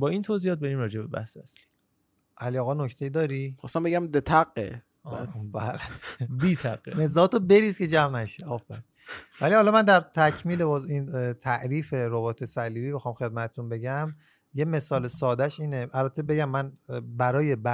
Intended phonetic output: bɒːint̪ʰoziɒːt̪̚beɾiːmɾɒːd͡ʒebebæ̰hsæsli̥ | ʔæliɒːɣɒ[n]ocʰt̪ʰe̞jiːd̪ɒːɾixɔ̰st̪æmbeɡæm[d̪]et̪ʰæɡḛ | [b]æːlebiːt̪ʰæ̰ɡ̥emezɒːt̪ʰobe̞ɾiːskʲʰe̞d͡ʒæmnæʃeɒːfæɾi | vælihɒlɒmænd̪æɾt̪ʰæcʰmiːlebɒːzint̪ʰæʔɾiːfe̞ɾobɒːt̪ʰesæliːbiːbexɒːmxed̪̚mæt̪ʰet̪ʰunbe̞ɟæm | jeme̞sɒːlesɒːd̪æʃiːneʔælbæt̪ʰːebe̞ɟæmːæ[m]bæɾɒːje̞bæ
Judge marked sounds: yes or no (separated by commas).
yes, yes, yes, no